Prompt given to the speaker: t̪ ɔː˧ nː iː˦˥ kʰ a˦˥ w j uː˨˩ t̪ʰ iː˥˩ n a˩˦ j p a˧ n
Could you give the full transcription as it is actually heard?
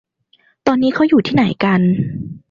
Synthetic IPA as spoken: t̪ ɔː˧ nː iː˦˥ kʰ a˦˥ w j uː˨˩ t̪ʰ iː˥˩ n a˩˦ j k a˧ n

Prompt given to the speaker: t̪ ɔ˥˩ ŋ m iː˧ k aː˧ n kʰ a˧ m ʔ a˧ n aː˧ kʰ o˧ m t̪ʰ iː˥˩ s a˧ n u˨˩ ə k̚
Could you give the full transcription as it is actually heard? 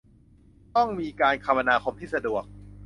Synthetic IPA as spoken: t̪ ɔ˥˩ ŋ m iː˧ k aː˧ n kʰ a˧ m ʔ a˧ n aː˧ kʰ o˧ m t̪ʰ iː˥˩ s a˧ d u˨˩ ə k̚

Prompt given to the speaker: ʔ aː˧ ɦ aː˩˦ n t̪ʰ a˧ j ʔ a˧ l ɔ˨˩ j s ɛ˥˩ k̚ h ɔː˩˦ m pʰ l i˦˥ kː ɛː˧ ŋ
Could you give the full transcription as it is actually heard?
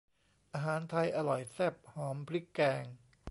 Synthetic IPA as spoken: ʔ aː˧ ɦ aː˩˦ n t̪ʰ a˧ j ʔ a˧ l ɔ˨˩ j s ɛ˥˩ p̚ h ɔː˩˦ m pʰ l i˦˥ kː ɛː˧ ŋ

